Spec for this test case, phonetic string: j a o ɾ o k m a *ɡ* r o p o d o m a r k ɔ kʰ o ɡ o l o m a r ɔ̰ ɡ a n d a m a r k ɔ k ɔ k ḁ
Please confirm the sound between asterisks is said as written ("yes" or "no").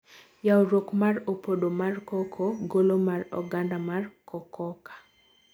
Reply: no